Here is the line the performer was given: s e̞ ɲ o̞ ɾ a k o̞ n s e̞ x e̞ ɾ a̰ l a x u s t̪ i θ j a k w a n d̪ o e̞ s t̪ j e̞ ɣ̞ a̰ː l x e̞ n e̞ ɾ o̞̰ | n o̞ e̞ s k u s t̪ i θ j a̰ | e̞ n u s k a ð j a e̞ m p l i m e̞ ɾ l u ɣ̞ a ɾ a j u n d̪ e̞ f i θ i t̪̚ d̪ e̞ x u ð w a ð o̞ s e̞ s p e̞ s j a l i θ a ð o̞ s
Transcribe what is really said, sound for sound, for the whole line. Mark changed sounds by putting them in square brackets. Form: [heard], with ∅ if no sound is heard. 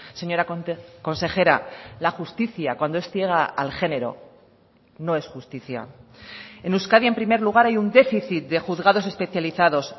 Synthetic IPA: s e̞ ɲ o̞ ɾ a k o̞ n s e̞ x e̞ ɾ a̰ l a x u s t̪ i θ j a k w a n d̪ o e̞ s t̪ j e̞ ɣ̞ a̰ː l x e̞ n e̞ ɾ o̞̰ | n o̞ e̞ s [x] u s t̪ i θ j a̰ | e̞ n u s k a ð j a e̞ m p [ɾ] i m e̞ ɾ l u ɣ̞ a ɾ a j u n d̪ e̞ f i θ i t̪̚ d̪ e̞ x u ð [ɣ] a ð o̞ s e̞ s p e̞ [θ] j a l i θ a ð o̞ s